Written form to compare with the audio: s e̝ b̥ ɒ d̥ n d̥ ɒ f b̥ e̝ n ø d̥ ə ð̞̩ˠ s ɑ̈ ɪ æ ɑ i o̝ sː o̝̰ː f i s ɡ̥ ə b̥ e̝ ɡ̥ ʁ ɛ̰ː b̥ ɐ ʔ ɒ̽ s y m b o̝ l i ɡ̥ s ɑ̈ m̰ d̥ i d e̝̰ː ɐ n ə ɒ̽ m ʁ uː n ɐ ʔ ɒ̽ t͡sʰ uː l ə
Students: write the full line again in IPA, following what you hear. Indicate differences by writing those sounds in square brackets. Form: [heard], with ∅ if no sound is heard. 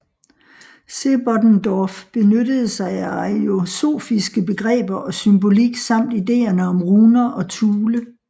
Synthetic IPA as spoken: s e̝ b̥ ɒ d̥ n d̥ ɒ f b̥ e̝ n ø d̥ ə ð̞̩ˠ s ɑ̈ ɪ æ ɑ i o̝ [s] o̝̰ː f i s ɡ̥ ə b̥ e̝ ɡ̥ ʁ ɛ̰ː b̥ ɐ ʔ ɒ̽ s y m b o̝ l i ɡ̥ s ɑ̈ m̰ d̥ i d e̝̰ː ɐ n ə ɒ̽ m ʁ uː n ɐ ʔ ɒ̽ t͡sʰ uː l ə